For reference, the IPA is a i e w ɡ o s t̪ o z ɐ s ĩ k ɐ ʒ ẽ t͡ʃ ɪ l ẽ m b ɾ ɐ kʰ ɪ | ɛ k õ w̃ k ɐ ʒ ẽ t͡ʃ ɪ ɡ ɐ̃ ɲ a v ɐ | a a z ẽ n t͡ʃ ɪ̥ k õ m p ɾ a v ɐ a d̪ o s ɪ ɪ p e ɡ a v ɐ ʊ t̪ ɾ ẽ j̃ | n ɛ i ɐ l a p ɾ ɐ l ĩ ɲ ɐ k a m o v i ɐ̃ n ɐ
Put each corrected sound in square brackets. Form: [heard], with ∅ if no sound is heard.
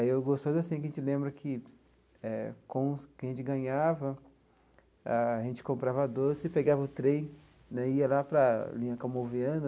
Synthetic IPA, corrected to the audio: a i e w ɡ o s t̪ o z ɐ s ĩ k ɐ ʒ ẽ t͡ʃ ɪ l ẽ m b ɾ ɐ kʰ ɪ | ɛ k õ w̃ k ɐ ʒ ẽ t͡ʃ ɪ ɡ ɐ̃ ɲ a v ɐ | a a [ʒ] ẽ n t͡ʃ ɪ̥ k õ m p ɾ a v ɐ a d̪ o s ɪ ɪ p e ɡ a v ɐ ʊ t̪ ɾ ẽ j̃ | n ɛ i ɐ l a p ɾ ɐ l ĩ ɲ ɐ k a m o v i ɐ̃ n ɐ